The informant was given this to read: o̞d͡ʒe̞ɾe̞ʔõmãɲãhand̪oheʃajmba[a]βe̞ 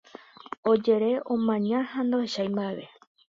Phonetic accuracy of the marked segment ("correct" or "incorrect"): incorrect